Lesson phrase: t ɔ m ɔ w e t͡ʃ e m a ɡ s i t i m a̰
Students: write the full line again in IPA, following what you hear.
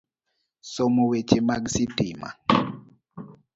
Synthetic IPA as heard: s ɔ m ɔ w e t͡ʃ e m a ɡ s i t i m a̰